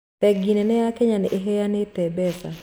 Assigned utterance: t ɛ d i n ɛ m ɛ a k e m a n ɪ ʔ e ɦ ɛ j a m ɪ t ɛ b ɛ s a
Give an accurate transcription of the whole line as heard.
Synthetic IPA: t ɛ ɡ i n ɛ n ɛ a k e ɲ a n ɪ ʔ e ɦ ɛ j a n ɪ t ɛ b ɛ s a